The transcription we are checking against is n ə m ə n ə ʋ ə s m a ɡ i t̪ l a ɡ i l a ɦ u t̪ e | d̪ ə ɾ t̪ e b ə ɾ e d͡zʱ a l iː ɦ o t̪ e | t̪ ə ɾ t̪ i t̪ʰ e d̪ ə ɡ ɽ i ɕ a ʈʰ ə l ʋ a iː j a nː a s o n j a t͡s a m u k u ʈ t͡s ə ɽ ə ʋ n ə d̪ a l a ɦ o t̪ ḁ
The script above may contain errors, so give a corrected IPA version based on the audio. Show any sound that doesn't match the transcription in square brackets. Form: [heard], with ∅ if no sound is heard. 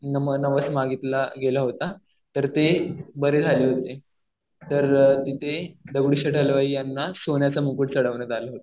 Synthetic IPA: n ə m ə n ə ʋ ə s m a ɡ i t̪ l a ɡ [e] l a ɦ [o] t̪ [a] | [t̪] ə ɾ t̪ e b ə ɾ e d͡zʱ a l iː ɦ o t̪ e | t̪ ə ɾ t̪ i t̪ʰ e d̪ ə ɡ ɽ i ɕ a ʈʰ ə l ʋ a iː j a nː a s o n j a t͡s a m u k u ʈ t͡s ə ɽ ə ʋ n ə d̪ a l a ɦ o t̪ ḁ